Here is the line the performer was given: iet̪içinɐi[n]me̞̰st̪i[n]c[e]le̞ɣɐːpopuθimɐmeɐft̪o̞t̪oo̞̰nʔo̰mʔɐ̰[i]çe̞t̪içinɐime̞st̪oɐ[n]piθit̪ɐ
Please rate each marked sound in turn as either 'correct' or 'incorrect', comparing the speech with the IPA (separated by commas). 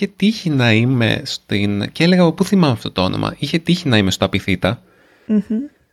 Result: incorrect, correct, correct, correct, incorrect